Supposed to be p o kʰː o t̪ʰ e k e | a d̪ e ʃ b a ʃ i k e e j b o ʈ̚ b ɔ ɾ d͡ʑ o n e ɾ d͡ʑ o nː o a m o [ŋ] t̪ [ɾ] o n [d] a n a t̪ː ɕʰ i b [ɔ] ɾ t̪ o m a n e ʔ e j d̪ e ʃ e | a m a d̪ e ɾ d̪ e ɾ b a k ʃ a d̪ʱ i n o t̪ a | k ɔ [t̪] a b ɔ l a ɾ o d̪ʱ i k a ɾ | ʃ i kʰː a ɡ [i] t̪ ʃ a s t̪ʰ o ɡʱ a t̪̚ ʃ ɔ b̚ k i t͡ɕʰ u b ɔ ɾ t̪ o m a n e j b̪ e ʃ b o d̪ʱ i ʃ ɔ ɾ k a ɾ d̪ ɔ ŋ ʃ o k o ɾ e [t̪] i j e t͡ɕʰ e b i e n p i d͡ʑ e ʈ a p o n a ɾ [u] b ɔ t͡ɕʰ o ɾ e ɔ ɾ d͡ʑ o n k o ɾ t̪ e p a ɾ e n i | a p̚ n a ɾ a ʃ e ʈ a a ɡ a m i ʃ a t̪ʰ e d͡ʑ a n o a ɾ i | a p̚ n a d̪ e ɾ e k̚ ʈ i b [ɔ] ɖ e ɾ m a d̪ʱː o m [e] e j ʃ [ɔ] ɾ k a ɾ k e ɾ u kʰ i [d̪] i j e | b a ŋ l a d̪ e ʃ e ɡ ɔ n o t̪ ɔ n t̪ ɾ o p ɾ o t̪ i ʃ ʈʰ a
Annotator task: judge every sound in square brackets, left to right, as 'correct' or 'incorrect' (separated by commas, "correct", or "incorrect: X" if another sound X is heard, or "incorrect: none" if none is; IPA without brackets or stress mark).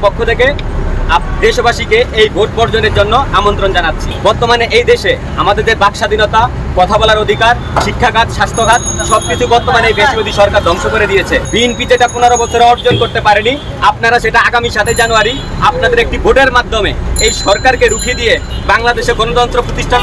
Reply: incorrect: n, correct, incorrect: d͡ʑ, correct, incorrect: t̪ʰ, incorrect: a, incorrect: d̪, incorrect: o, incorrect: o, correct, correct, correct